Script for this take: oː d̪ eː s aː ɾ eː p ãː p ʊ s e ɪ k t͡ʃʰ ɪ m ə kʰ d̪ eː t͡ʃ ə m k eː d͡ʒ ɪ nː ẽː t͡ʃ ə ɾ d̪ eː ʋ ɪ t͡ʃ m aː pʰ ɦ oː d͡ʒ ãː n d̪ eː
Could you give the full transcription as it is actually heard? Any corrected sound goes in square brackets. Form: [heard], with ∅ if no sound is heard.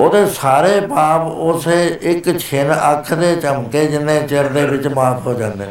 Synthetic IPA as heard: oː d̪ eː s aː ɾ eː p [aː] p ʊ s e ɪ k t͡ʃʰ ɪ [n] ə kʰ d̪ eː t͡ʃ ə m k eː d͡ʒ ɪ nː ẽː t͡ʃ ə ɾ d̪ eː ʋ ɪ t͡ʃ m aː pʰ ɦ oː d͡ʒ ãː n d̪ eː